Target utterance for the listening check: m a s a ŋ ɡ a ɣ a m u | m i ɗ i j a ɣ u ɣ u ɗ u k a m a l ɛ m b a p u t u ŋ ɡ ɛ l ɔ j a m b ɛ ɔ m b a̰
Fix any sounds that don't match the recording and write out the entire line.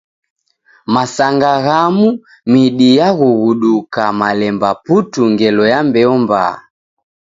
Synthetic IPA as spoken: m a s a ŋ ɡ a ɣ a m u | m i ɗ i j a ɣ u ɣ u ɗ u k a m a l ɛ m b a p u t u ŋ ɡ ɛ l ɔ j a m b ɛ ɔ m b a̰